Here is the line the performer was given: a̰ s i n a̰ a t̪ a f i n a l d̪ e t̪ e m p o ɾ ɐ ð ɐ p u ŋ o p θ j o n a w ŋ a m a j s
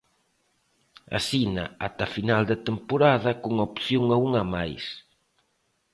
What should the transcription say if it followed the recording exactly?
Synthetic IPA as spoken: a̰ s i n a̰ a t̪ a f i n a l d̪ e t̪ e m p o ɾ a ð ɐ k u ŋ o p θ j o ŋ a u ŋ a m a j s